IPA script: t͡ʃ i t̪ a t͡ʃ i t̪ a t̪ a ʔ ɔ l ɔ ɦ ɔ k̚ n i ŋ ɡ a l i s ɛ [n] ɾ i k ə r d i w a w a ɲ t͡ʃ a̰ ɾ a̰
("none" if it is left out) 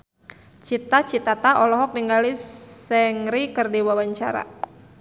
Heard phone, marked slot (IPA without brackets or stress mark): ŋ